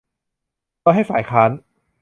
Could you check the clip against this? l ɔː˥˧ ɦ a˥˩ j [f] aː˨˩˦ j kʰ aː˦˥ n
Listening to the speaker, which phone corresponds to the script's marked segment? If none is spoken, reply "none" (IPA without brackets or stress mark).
f